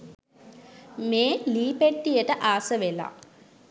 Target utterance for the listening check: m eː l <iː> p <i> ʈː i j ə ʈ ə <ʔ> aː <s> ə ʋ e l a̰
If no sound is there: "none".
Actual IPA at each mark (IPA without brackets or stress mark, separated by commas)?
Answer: iː, e, ʔ, s